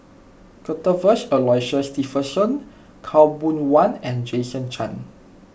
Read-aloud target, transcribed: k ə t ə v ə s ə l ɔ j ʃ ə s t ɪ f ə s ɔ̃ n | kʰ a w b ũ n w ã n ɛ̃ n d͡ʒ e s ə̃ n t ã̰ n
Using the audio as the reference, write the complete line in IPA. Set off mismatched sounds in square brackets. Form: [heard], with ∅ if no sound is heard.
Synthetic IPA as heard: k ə t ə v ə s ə l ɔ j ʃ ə s t [i] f ə s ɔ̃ n | kʰ a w b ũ n w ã n ɛ̃ n d͡ʒ e s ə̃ n [t͡ʃ] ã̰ n

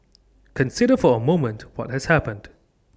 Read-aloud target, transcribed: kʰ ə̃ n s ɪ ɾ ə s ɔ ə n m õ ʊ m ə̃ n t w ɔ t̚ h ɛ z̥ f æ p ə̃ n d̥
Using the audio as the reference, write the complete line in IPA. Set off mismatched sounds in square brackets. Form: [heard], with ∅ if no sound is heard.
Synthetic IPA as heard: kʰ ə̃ n s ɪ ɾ ə [f] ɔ ə [∅] m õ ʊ m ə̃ n t w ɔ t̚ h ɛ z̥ [h] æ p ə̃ n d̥

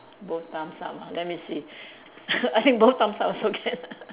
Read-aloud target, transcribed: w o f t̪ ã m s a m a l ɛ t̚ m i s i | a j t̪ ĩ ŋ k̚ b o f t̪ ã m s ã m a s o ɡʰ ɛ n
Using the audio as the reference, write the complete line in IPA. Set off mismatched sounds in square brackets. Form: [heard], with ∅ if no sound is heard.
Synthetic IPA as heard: [b] o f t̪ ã m s a m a l ɛ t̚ m i s i | a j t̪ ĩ ŋ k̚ b o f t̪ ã m s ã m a s o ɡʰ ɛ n

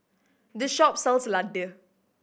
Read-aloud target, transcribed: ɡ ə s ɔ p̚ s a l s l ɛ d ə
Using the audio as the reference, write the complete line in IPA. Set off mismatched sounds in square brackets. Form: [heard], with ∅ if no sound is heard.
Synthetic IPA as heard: [d] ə [ʃ] ɔ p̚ s [ɛ] l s l [a] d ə

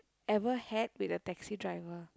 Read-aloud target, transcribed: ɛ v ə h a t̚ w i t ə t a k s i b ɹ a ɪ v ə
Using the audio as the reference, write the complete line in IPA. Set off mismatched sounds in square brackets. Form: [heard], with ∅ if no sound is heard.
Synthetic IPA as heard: ɛ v ə h [ɛ] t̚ w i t ə t [ɛ] k s i [d] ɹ a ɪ v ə

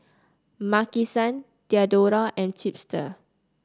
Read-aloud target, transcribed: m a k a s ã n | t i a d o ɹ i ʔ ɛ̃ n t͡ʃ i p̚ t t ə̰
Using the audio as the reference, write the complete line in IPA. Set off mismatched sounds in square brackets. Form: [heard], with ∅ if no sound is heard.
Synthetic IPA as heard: m a k [i] s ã n | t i a d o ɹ [a] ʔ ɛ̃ n t͡ʃ i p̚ [s] t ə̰

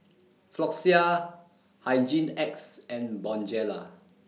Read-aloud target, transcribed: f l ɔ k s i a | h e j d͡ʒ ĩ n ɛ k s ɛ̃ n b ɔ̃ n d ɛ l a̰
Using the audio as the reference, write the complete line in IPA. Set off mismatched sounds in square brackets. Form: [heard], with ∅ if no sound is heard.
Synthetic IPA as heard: f l ɔ k s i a | h [a] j d͡ʒ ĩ n ɛ k s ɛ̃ n b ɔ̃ n [d͡ʒ] ɛ l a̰

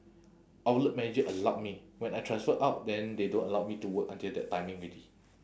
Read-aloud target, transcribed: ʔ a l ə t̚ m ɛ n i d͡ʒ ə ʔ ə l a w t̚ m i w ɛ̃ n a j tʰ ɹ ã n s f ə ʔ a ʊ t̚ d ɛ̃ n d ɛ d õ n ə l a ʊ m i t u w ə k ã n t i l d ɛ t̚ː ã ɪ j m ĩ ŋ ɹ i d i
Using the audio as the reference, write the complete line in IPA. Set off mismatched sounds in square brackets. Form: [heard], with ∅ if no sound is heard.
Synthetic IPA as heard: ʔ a l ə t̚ m ɛ n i d͡ʒ ə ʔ ə l a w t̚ m i w ɛ̃ n a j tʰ ɹ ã n s f ə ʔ a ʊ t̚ d ɛ̃ n d [e] d õ n ə l a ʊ m i t u w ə k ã n t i l d ɛ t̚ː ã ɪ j m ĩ ŋ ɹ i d i

